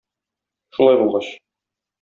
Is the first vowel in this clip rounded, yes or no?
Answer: yes